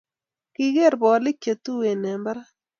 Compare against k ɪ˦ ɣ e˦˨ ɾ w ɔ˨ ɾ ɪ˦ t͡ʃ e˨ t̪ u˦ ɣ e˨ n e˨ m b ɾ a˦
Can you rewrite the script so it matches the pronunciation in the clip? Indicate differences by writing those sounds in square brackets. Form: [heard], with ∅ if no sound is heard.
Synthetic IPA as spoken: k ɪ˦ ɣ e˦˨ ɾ [b] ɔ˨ [l] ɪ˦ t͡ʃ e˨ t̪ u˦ [w] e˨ n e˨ m b ɾ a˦